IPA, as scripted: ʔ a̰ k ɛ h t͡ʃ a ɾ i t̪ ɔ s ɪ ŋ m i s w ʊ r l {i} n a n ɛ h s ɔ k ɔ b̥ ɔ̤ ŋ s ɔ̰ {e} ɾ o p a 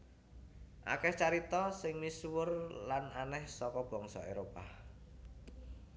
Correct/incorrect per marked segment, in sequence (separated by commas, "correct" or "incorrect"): incorrect, correct